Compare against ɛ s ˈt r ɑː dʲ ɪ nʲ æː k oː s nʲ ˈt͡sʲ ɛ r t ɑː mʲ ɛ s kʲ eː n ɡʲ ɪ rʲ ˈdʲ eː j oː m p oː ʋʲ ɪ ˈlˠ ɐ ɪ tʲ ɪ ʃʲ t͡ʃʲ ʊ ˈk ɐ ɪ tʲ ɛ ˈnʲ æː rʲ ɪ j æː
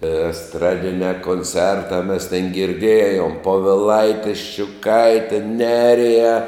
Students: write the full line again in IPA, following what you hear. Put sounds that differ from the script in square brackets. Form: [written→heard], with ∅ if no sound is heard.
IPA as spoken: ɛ s ˈt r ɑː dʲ ɪ nʲ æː k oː [s→∅] nʲ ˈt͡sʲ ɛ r t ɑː mʲ ɛ s [kʲ→tʲ] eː n ɡʲ ɪ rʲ ˈdʲ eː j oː m p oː ʋʲ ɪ ˈlˠ ɐ ɪ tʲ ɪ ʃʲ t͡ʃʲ ʊ ˈk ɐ ɪ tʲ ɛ ˈnʲ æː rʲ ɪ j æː